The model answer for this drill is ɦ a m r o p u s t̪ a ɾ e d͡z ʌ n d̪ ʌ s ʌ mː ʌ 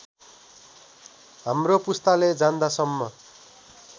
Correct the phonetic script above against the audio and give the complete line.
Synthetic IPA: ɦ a m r o p u s t̪ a l e d͡z a n d̪ a s ʌ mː ʌ